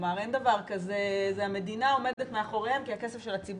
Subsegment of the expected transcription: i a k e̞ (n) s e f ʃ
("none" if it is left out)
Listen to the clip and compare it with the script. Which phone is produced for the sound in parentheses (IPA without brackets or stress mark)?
none